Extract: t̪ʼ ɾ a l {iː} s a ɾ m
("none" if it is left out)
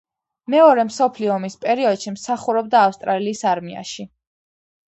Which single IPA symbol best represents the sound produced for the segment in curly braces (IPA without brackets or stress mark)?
iː